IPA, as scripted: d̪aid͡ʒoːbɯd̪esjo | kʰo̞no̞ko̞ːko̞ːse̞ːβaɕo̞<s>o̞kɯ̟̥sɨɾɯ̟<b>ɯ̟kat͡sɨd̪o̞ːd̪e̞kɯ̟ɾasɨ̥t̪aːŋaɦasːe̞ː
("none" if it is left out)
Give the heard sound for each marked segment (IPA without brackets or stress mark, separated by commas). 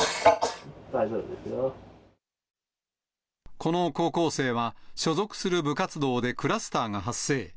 z, b